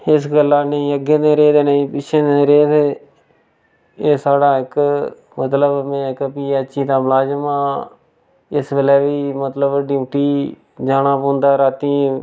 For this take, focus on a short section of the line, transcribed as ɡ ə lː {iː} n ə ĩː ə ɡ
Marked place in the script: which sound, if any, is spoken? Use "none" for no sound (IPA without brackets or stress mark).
aː